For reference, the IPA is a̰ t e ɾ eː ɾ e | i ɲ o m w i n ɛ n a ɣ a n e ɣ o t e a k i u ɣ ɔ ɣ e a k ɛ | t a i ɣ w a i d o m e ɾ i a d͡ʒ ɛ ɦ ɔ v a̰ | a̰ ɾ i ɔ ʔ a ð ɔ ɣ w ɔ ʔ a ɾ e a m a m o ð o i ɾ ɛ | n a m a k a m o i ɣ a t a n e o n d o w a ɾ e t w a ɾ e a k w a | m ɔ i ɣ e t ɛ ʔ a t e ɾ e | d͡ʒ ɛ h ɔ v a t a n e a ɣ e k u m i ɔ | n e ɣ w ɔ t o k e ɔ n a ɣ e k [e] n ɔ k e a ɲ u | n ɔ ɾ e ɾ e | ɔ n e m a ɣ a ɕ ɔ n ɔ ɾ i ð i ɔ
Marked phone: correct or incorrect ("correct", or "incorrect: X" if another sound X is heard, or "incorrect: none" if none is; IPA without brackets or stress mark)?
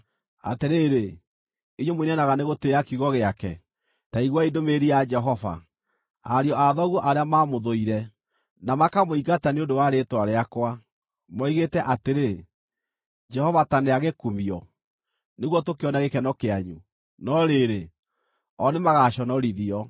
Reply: incorrect: ɛ